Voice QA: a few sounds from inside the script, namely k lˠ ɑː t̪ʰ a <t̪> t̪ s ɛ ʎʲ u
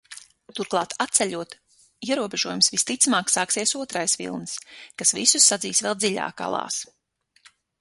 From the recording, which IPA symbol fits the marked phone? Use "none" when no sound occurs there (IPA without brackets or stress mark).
t̪